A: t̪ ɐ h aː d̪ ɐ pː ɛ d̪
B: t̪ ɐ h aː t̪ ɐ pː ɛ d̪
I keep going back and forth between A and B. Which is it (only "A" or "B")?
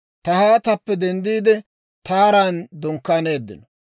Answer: B